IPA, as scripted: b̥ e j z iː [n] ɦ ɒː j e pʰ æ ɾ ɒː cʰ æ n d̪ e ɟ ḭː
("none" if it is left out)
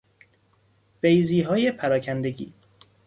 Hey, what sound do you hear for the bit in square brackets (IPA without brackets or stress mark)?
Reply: none